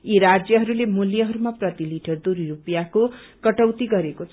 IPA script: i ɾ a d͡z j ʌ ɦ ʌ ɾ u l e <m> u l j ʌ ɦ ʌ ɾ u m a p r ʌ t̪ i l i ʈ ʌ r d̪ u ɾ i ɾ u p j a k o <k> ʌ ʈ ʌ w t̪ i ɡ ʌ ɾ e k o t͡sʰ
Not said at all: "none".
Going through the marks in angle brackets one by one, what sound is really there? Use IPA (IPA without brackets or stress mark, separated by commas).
m, k